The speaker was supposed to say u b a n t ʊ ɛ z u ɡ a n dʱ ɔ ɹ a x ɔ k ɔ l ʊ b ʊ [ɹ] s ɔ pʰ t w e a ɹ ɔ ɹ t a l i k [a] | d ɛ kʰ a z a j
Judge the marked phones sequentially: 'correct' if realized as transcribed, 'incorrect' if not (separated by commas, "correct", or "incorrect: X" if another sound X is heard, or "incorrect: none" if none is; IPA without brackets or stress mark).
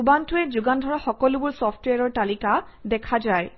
correct, correct